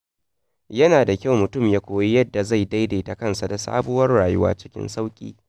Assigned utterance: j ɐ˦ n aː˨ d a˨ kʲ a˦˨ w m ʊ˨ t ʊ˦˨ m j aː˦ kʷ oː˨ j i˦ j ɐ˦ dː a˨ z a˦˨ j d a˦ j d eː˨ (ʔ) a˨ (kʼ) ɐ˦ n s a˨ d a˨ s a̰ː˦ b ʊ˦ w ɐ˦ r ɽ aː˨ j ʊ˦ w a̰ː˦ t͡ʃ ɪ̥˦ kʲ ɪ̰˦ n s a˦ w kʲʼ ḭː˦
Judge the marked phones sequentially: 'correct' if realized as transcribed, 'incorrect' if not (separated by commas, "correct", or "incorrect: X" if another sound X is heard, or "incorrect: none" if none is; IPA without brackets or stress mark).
incorrect: t, incorrect: k